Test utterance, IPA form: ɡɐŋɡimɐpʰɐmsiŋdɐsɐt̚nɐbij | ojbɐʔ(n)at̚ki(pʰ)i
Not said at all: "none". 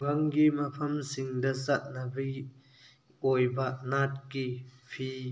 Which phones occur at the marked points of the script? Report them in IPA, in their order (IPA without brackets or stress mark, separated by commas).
n, pʰ